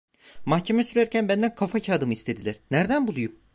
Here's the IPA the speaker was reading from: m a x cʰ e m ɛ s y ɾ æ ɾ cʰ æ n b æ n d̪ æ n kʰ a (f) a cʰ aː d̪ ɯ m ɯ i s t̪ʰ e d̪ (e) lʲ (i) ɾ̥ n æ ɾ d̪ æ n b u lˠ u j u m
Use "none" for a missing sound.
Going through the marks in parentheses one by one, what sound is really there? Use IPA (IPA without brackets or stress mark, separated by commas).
f, i, æ